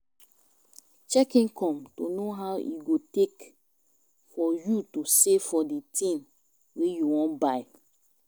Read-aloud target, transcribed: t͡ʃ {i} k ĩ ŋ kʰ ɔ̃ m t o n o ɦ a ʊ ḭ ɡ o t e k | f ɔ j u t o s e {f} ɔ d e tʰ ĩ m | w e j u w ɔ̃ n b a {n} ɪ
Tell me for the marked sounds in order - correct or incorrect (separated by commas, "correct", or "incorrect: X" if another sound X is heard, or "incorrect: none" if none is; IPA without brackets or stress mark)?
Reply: incorrect: ɛ, correct, incorrect: none